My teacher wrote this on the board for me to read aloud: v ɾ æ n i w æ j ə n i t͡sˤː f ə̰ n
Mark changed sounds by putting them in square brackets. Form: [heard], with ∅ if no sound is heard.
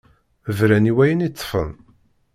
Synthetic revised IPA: v ɾ æ n i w æ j ə n i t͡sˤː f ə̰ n